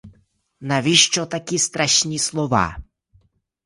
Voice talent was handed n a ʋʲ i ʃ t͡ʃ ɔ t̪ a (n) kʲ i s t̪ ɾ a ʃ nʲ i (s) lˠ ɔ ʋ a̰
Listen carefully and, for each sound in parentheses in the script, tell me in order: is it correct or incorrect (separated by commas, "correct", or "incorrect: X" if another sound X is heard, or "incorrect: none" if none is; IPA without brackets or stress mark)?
incorrect: none, correct